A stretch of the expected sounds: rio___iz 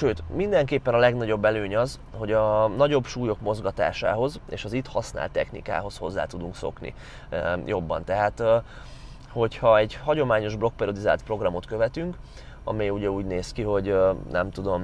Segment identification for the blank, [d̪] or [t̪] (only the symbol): d̪